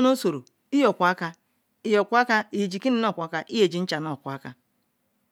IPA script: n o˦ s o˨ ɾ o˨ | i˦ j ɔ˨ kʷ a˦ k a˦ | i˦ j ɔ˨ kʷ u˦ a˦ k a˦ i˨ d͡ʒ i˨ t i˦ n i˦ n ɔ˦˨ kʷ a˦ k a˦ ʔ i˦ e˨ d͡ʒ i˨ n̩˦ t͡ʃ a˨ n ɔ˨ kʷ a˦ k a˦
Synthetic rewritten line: n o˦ s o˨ ɾ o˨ | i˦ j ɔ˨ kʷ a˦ k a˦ | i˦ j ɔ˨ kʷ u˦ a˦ k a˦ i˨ d͡ʒ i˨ k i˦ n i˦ n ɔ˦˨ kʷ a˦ k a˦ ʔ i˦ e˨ d͡ʒ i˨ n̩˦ t͡ʃ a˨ n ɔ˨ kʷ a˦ k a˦